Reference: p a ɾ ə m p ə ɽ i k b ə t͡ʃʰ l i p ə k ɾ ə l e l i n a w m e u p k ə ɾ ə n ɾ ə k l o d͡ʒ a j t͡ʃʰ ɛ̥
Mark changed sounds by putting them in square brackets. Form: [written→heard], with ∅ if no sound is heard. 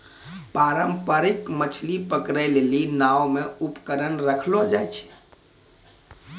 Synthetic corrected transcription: p a ɾ ə m p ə [ɽ→ɾ] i k [b→m] ə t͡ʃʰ l i p ə k ɾ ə l e l i n a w m e u p k ə ɾ ə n ɾ ə [k→kʰ] l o d͡ʒ a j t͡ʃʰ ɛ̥

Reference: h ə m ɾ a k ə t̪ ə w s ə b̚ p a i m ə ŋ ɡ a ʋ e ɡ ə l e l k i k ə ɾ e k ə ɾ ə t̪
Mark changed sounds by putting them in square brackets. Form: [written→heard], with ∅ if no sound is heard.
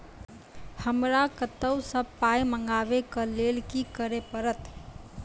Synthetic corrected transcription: h ə m ɾ a k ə t̪ ə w s ə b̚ p a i m ə ŋ ɡ a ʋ e [ɡ→k] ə l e l k i k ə ɾ e [k→p] ə ɾ ə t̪

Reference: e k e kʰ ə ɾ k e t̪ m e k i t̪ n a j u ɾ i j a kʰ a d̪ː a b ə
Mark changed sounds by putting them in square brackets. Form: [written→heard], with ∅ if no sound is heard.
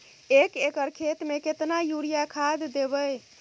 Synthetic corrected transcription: e k e [kʰ→k] ə ɾ [k→kʰ] e t̪ m e k [i→e] t̪ n a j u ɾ i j a kʰ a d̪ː [a→e] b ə

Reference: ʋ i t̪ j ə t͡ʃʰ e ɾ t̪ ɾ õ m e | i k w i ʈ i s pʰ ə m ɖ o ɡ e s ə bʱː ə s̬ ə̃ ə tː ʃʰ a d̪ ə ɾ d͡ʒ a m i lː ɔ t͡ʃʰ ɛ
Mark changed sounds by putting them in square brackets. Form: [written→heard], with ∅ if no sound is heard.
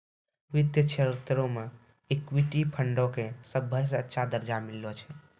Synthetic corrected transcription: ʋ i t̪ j ə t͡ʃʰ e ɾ t̪ ɾ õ m e | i k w i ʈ i [s→∅] pʰ ə [m→ɳ] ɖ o [ɡ→k] e s ə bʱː ə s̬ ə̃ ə tː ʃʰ a d̪ ə ɾ d͡ʒ a m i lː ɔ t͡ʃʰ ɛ

